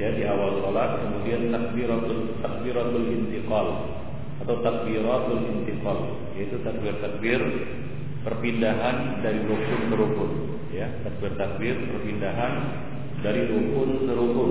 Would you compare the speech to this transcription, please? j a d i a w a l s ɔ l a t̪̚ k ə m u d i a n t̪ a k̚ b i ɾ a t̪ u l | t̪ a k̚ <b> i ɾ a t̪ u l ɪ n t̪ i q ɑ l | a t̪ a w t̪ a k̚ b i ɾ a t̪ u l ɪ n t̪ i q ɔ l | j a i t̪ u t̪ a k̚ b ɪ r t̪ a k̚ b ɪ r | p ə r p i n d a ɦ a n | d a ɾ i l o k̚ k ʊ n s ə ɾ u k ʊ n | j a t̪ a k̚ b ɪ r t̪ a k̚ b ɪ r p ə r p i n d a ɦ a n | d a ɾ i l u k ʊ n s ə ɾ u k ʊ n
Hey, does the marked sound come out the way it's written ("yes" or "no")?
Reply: yes